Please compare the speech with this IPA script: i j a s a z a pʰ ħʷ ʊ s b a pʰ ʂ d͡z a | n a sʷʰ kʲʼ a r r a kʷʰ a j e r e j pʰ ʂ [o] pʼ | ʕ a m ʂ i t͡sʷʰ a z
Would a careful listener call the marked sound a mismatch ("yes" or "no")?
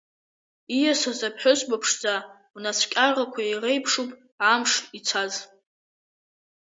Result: yes